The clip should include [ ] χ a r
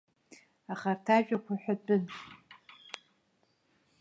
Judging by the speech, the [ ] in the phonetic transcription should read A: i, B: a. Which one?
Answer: B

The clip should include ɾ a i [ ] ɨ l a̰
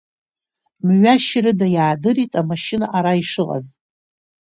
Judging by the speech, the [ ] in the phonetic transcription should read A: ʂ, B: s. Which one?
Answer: A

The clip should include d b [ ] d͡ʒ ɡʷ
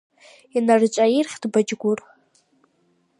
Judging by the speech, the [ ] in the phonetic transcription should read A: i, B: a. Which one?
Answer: B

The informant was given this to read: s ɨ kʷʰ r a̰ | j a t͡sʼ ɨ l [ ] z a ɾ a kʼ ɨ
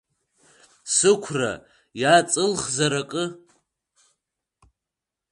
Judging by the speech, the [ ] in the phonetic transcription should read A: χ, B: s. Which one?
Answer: A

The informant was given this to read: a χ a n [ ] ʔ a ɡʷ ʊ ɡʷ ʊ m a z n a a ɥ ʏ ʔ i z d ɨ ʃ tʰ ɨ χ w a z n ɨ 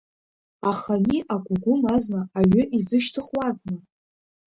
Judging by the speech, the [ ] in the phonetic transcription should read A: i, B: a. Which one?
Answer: A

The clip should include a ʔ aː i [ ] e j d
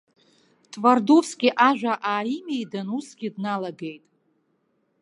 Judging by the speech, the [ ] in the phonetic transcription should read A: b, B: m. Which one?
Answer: B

